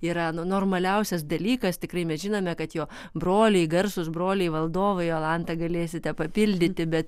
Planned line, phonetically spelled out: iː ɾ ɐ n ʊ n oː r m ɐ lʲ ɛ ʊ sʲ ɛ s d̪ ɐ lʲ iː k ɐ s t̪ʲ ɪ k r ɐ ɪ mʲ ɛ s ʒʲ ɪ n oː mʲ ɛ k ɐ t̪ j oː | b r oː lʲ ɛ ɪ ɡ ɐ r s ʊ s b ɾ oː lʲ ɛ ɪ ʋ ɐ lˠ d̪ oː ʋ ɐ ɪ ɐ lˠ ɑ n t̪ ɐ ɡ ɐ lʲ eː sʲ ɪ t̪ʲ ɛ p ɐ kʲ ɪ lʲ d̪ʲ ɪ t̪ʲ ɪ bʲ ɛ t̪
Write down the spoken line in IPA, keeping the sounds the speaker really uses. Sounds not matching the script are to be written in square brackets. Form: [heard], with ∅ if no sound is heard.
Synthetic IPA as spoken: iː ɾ ɐ n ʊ n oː r m ɐ lʲ ɛ ʊ sʲ ɛ s d̪ ɐ lʲ iː k ɐ s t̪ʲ ɪ k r ɐ ɪ mʲ ɛ s ʒʲ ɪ n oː mʲ ɛ k ɐ t̪ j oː | b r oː lʲ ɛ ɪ ɡ ɐ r s ʊ s b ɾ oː lʲ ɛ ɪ ʋ ɐ lˠ d̪ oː ʋ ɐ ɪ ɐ lˠ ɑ n t̪ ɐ ɡ ɐ lʲ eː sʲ ɪ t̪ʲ ɛ p ɐ [pʲ] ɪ lʲ d̪ʲ ɪ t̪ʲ ɪ bʲ ɛ t̪

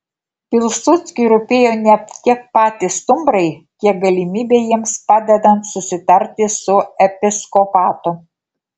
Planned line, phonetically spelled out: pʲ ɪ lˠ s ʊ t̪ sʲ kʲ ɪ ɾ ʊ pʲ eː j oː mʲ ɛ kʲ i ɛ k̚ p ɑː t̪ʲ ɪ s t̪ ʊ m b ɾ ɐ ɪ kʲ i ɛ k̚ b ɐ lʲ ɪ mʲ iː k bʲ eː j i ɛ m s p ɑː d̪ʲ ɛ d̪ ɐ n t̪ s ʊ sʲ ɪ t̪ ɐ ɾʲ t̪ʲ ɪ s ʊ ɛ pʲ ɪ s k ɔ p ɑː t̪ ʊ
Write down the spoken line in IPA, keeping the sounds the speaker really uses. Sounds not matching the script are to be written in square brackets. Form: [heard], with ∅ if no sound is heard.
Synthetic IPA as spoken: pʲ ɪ lˠ s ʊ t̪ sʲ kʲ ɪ ɾ ʊ pʲ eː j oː [nʲ] ɛ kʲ i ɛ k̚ p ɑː t̪ʲ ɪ s t̪ ʊ m b ɾ ɐ ɪ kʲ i ɛ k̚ [ɡ] ɐ lʲ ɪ mʲ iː [∅] bʲ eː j i ɛ m s p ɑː d̪ʲ ɛ d̪ ɐ n t̪ s ʊ sʲ ɪ t̪ ɐ ɾʲ t̪ʲ ɪ s ʊ ɛ pʲ ɪ s k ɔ p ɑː t̪ ʊ

